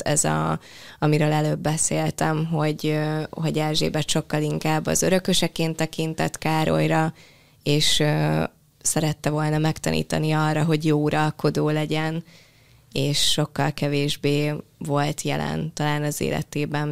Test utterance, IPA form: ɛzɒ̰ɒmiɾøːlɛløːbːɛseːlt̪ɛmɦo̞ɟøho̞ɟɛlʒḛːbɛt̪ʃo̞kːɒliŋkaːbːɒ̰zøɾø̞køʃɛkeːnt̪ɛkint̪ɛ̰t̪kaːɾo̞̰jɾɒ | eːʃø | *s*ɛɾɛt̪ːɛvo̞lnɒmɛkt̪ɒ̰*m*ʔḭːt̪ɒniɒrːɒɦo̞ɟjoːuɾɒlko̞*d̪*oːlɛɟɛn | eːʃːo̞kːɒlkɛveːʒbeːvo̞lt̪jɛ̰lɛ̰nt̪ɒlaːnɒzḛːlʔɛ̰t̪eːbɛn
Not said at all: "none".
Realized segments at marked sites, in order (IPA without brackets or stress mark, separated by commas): s, n, d̪